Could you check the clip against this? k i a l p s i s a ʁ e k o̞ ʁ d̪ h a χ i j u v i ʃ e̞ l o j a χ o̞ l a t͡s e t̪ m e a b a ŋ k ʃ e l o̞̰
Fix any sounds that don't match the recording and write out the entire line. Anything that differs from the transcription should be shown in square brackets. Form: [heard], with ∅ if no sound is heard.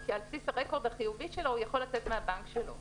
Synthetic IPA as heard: k i a l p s i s a ʁ e k o̞ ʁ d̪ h a χ i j u v i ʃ e̞ l o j a χ o̞ l a t͡s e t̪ m e a b a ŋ k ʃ e l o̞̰

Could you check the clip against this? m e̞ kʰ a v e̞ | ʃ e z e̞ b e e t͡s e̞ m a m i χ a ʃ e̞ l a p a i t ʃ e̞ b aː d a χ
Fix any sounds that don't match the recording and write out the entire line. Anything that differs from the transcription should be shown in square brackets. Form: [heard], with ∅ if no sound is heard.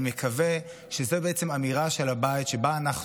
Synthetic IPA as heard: m e̞ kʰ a v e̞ | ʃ e z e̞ b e e t͡s e̞ m a m i [ʁ] a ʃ e̞ l a [b] a i t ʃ e̞ b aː [n] a χ

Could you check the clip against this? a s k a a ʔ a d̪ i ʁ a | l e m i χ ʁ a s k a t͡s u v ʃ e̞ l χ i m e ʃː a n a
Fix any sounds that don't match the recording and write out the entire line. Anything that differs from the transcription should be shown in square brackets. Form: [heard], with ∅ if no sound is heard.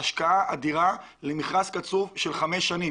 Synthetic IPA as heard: a [ʃ] k a a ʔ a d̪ i ʁ a | l e m i χ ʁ a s k a t͡s u v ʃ e̞ l χ [a] m e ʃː a n [i]

